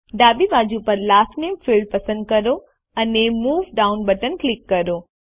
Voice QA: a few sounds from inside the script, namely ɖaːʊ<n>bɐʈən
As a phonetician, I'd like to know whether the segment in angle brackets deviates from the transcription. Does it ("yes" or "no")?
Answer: no